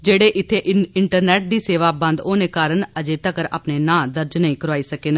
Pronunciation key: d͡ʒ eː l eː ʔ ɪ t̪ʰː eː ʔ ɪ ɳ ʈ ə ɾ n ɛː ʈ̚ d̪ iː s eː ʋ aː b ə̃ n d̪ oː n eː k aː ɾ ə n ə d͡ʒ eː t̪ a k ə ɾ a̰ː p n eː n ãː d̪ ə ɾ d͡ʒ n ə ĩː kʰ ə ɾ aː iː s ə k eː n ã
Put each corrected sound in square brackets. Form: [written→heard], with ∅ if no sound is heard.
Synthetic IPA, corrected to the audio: d͡ʒ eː [l→ɽ] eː ʔ ɪ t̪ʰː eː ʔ ɪ ɳ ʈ ə ɾ n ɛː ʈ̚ d̪ iː s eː ʋ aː b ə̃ n d̪ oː n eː k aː ɾ ə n ə d͡ʒ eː t̪ [a→ə] k ə ɾ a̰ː p n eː n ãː d̪ ə ɾ d͡ʒ n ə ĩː [kʰ→k] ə ɾ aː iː s ə k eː n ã

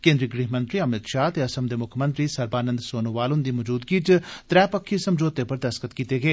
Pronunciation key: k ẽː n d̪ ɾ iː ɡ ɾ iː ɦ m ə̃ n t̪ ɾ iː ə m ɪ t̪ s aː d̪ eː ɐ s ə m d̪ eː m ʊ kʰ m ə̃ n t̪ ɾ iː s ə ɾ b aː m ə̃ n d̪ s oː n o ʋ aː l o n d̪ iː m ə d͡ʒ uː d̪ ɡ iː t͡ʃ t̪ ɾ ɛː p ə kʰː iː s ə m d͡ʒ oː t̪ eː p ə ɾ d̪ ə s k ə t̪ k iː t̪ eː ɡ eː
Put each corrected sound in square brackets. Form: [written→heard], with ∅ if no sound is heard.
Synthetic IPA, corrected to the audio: k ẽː n d̪ ɾ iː ɡ ɾ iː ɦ m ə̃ n t̪ ɾ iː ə m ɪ t̪ [s→ʃ] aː [d̪→t̪] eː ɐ s ə m d̪ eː m ʊ kʰ m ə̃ n t̪ ɾ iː s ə ɾ b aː [m→n] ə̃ n d̪ s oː n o ʋ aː l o n d̪ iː m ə d͡ʒ uː d̪ ɡ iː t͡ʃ t̪ ɾ ɛː p ə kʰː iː s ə m d͡ʒ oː t̪ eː p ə ɾ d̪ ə s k ə t̪ k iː t̪ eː ɡ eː

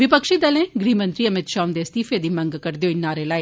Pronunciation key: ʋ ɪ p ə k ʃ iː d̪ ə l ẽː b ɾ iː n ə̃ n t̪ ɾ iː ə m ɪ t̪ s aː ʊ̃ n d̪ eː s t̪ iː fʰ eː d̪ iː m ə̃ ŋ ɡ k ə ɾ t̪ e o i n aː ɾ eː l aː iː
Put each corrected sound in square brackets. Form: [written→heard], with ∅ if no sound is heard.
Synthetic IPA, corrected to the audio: ʋ ɪ p ə k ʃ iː d̪ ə l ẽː [b→ɡ] ɾ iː [n→m] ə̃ n t̪ ɾ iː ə m ɪ t̪ [s→ʃ] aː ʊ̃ n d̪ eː s t̪ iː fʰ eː d̪ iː m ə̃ ŋ ɡ k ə ɾ [t̪→d̪] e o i n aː ɾ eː l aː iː

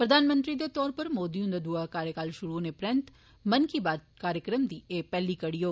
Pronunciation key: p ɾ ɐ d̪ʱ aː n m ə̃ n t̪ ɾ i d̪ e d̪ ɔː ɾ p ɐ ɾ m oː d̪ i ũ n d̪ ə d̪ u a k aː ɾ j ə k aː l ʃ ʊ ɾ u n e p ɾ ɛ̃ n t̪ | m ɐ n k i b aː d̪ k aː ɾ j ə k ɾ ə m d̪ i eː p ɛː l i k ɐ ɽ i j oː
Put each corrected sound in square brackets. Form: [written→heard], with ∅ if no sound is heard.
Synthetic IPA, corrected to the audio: p ɾ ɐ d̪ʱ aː n m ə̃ n t̪ ɾ i d̪ e [d̪→t̪] ɔː ɾ p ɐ ɾ m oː d̪ i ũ n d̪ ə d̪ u a k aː ɾ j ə k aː l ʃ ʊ ɾ u n e p ɾ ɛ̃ n t̪ | m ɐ n k i b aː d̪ k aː ɾ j ə k ɾ ə m d̪ i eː p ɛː l i k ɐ ɽ i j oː

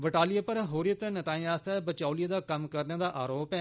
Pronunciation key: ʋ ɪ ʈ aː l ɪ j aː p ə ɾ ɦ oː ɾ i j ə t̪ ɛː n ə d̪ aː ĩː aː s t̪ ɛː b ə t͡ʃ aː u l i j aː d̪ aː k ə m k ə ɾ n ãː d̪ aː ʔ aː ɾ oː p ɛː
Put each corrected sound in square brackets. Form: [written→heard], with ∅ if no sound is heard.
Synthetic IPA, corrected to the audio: ʋ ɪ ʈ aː l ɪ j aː p ə ɾ ɦ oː ɾ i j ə t̪ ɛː n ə [d̪→t̪] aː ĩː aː s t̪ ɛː b ə t͡ʃ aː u l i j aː d̪ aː k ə m k ə ɾ n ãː d̪ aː ʔ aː ɾ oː p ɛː

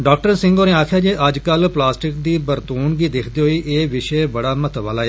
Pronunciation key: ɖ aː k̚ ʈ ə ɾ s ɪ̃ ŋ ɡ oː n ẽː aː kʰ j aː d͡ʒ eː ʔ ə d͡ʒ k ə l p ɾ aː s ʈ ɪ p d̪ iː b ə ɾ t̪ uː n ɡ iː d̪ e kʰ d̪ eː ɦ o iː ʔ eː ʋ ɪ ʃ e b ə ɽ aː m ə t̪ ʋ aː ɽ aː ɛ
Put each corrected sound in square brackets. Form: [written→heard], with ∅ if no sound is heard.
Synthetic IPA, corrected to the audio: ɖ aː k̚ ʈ ə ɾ s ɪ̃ ŋ ɡ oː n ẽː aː kʰ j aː d͡ʒ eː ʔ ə d͡ʒ k ə l p [ɾ→l] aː s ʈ ɪ [p→k] d̪ iː b ə ɾ t̪ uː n ɡ iː d̪ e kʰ d̪ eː ɦ o iː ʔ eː ʋ ɪ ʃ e b ə ɽ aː m ə t̪ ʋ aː [ɽ→l] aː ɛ

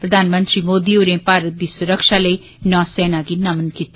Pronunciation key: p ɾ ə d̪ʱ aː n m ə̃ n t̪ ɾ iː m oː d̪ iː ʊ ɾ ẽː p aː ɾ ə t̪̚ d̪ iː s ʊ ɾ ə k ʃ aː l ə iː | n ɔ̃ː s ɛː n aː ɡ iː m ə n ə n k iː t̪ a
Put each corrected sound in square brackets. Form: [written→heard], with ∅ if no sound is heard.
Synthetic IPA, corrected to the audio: p ɾ ə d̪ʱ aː n m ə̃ n t̪ ɾ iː m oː d̪ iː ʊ ɾ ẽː p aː ɾ ə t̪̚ d̪ iː s ʊ ɾ ə k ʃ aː l ə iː | n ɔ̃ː s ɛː n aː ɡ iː [m→n] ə [n→m] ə n k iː t̪ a

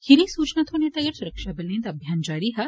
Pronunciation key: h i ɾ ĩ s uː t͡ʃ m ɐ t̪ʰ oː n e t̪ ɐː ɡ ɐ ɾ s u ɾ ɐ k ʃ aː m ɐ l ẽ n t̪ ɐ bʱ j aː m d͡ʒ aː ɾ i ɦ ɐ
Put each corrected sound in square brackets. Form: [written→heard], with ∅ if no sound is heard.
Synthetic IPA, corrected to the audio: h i ɾ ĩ s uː t͡ʃ [m→n] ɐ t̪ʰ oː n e t̪ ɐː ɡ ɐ ɾ s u ɾ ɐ k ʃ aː [m→b] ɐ l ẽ n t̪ ɐ bʱ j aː [m→n] d͡ʒ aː ɾ i ɦ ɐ

